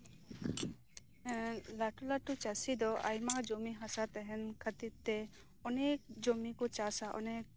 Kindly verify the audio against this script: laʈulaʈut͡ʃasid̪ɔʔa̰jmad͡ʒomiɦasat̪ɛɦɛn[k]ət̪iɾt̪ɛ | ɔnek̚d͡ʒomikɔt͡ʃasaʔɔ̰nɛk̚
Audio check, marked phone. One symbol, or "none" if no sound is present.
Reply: kʰ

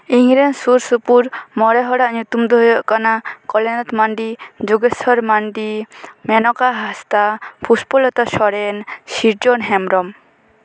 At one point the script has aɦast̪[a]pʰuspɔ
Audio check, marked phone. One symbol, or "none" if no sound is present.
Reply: a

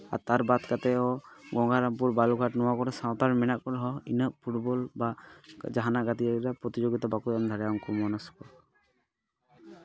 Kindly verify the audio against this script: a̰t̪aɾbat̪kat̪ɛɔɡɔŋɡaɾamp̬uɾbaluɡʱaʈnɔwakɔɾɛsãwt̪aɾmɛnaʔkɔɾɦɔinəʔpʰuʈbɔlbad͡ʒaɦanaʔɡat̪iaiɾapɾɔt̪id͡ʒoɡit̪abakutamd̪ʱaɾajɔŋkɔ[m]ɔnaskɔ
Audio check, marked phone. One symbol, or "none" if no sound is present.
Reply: m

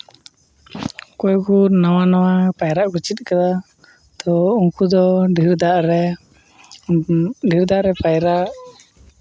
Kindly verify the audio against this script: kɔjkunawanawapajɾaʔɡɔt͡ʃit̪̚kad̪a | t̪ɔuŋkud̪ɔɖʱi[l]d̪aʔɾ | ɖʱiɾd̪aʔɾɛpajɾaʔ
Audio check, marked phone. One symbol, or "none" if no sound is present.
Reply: ɾ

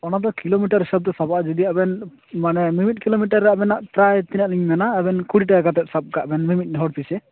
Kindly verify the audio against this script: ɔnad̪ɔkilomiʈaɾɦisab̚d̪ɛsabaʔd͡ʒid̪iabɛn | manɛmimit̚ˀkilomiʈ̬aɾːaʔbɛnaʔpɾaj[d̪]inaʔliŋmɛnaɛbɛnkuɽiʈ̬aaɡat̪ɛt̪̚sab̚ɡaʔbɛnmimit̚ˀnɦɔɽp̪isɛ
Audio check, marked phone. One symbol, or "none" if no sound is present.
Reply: t̪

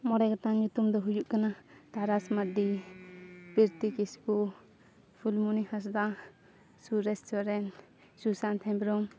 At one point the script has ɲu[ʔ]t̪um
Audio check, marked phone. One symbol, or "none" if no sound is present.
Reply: none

